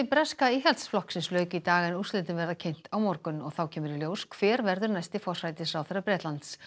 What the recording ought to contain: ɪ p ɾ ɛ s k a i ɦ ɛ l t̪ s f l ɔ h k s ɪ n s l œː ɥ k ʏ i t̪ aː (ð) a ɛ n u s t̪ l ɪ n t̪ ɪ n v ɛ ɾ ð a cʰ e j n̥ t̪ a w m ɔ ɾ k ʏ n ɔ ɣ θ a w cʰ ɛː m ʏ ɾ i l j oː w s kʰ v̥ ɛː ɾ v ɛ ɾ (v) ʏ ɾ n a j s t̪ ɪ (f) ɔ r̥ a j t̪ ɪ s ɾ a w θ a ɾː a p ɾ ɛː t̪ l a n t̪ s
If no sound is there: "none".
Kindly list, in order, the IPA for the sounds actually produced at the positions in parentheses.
ɣ, ð, f

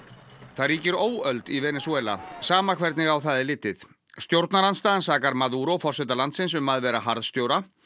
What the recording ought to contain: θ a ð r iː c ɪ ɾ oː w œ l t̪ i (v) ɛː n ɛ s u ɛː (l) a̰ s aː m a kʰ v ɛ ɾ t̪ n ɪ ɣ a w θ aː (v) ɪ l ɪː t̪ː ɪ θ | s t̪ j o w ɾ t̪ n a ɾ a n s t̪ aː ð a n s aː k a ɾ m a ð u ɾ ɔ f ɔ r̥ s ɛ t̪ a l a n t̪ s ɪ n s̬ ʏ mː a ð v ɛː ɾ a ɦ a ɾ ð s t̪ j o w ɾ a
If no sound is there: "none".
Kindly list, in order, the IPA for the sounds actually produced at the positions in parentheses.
v, l, ð

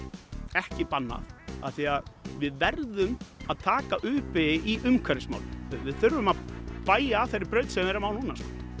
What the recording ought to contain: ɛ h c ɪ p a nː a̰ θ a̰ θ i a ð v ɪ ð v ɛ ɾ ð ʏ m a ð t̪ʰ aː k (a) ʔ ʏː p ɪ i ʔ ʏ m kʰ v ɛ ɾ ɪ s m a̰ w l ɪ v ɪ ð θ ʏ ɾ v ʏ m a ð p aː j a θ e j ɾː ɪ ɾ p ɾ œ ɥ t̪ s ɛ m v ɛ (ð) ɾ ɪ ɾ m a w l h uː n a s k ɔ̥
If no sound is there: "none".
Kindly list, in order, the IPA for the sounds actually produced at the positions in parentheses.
a, none

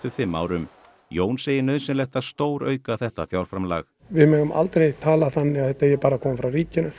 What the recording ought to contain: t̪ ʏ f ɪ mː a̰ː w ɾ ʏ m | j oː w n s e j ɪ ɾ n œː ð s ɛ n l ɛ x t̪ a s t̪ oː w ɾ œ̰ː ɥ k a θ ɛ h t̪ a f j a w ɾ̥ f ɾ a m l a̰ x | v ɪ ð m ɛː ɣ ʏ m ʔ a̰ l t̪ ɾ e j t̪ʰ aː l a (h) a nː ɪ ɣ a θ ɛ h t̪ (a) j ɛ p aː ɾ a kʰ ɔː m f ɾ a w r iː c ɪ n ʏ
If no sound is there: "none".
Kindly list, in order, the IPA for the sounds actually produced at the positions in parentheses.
θ, a

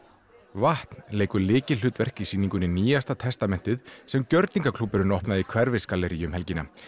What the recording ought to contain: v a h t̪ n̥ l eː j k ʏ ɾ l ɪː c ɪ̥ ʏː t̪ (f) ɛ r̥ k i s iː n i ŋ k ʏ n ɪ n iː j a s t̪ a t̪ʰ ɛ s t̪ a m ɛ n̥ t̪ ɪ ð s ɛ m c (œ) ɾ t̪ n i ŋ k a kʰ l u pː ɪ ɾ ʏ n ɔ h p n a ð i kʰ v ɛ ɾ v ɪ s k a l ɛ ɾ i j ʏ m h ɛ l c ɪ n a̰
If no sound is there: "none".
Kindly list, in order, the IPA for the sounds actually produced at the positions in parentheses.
v, œ

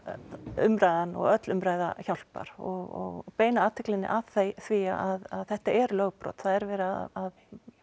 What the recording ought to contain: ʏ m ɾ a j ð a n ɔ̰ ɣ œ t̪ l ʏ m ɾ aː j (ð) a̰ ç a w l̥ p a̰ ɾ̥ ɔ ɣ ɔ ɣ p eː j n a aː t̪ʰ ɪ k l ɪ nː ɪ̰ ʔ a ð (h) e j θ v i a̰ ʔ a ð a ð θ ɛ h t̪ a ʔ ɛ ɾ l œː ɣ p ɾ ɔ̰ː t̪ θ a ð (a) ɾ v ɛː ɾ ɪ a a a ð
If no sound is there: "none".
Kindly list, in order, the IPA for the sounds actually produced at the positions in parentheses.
ð, θ, ɛ

